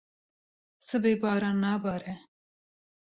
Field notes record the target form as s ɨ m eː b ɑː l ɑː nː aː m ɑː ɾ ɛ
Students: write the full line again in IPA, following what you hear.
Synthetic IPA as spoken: s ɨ b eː b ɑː ɾ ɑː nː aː b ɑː ɾ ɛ